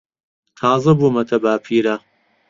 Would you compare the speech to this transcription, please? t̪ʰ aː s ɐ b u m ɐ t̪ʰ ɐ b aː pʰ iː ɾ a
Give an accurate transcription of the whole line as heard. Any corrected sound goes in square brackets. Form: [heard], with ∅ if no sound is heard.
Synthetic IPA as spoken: t̪ʰ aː [z] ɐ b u m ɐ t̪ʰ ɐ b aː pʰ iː ɾ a